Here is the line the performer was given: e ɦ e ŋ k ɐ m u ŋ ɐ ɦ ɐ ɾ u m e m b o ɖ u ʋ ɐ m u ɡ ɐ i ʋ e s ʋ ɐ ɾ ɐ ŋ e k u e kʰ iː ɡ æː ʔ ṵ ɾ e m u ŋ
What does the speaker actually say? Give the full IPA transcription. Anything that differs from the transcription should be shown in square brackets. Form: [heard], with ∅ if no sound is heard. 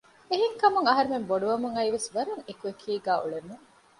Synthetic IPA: e ɦ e ŋ k ɐ m u ŋ ɐ ɦ ɐ ɾ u m e m b o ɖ u ʋ ɐ m u [ŋ] ɐ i ʋ e s ʋ ɐ ɾ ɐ ŋ e k u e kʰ iː ɡ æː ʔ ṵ [ɭ] e m u ŋ